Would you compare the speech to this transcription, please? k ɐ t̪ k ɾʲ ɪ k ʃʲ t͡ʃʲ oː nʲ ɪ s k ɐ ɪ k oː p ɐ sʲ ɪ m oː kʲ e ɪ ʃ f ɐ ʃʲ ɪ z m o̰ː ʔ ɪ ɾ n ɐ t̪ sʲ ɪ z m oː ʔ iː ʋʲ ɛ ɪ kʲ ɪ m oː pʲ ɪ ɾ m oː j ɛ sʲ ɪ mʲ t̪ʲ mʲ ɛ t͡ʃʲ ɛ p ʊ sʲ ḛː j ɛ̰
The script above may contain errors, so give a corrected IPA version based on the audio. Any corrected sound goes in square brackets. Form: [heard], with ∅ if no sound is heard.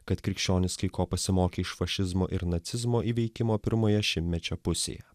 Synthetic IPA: k ɐ t̪ k ɾʲ ɪ k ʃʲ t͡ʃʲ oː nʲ ɪ s k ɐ ɪ k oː p ɐ sʲ ɪ m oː kʲ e ɪ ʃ f ɐ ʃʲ ɪ z m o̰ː ʔ ɪ ɾ n ɐ t̪ sʲ ɪ z m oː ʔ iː ʋʲ ɛ ɪ kʲ ɪ m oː pʲ ɪ ɾ m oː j ɛ [ʃʲ] ɪ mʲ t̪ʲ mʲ ɛ t͡ʃʲ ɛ p ʊ sʲ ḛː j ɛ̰